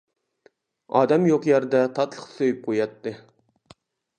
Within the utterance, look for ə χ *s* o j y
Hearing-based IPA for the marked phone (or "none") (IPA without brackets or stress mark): s